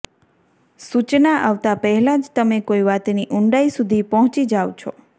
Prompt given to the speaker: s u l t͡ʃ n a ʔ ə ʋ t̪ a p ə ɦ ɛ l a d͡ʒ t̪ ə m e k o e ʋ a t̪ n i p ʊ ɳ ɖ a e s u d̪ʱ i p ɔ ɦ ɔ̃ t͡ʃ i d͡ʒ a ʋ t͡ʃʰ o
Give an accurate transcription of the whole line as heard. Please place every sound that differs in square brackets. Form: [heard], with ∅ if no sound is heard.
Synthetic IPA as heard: s u [∅] t͡ʃ n a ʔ [a] ʋ t̪ a p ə ɦ ɛ l a d͡ʒ t̪ ə m e k o [i] ʋ a t̪ n i [ʔ] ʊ ɳ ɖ a [i] s u d̪ʱ i p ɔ ɦ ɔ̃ t͡ʃ i d͡ʒ a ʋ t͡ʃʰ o